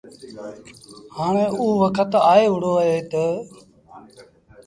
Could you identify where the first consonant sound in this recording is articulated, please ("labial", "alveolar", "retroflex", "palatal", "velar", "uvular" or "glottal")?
glottal